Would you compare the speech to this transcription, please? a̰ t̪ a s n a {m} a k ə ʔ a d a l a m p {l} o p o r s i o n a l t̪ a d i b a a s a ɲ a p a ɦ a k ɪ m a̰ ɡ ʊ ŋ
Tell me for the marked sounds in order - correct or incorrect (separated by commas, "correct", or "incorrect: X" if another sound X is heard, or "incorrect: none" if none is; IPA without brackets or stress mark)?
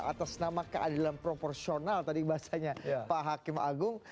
correct, incorrect: ɾ